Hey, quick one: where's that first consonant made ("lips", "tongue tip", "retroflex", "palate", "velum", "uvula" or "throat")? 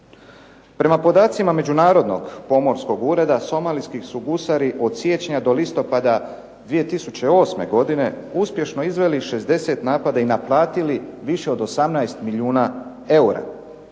lips